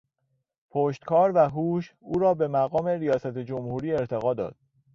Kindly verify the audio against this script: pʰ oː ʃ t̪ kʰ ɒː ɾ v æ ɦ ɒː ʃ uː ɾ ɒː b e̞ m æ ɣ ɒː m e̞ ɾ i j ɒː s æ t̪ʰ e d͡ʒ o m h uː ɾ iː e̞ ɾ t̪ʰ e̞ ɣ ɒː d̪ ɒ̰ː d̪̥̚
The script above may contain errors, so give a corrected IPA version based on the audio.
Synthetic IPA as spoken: pʰ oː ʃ t̪ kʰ ɒː ɾ v æ ɦ uː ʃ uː ɾ ɒː b e̞ m æ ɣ ɒː m e̞ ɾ i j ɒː s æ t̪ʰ e d͡ʒ o m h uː ɾ iː e̞ ɾ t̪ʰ e̞ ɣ ɒː d̪ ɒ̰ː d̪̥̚